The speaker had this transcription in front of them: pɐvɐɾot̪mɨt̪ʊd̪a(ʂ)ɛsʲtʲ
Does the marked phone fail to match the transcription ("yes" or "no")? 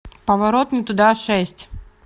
no